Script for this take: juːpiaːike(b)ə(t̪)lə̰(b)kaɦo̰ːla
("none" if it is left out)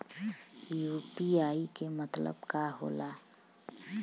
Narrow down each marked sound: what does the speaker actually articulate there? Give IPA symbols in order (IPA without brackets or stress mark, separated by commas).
m, t̪, b